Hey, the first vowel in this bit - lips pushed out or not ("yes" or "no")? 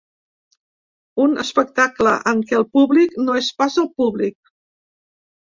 yes